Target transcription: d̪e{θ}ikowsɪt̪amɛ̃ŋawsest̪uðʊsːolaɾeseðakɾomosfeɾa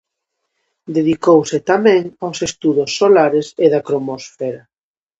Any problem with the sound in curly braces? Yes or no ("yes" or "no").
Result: yes